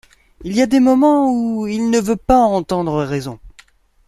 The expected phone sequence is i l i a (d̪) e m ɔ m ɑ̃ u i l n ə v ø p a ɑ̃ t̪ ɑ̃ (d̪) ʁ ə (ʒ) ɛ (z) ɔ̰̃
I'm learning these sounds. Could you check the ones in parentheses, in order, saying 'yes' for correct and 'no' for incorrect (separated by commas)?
yes, yes, no, yes